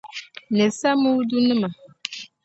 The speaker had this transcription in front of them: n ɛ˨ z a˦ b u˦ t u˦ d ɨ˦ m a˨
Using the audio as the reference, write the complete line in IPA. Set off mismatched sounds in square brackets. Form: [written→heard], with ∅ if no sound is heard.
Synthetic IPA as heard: n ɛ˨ [z→s] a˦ [b→m] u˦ [t→d] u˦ [d→n] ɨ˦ m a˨